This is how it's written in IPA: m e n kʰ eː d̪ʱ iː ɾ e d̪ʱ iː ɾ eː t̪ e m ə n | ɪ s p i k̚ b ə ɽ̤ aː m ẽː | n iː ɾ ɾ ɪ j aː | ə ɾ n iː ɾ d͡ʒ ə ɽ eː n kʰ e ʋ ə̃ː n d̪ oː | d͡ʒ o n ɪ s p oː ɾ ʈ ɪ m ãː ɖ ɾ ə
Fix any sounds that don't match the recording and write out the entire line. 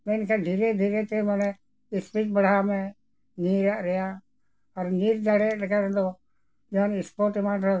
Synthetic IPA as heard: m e n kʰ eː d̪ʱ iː ɾ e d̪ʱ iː ɾ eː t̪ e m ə n | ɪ s p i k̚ b ə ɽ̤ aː m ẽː | n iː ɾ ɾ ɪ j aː | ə ɾ n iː ɾ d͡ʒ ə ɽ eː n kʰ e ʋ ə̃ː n d̪ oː | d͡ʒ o n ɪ s p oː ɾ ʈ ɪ m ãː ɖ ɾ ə